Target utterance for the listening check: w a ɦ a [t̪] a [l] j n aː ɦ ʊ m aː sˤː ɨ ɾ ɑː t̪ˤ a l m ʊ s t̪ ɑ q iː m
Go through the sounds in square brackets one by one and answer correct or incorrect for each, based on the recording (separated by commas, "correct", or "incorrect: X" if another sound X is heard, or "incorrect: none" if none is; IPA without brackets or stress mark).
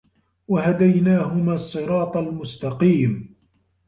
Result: incorrect: d̪, incorrect: none